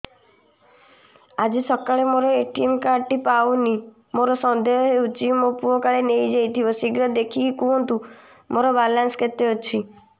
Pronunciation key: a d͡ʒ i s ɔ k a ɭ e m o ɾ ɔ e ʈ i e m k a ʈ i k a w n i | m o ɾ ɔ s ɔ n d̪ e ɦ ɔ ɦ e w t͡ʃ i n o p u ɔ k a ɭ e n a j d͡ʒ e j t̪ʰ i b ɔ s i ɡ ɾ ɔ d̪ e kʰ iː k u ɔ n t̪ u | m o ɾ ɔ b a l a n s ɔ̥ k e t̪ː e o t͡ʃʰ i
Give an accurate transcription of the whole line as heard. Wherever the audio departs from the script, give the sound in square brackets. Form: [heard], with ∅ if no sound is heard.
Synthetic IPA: a d͡ʒ i s ɔ k a ɭ e m o ɾ ɔ e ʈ i e m k a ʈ i [p] a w n i | m o ɾ ɔ s ɔ n d̪ e ɦ ɔ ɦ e [u] t͡ʃ i [m] o p u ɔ k a ɭ e n [e] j d͡ʒ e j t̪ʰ i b ɔ s i ɡ ɾ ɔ d̪ e kʰ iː k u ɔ n t̪ u | m o ɾ ɔ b a l a n s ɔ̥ k e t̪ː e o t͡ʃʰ i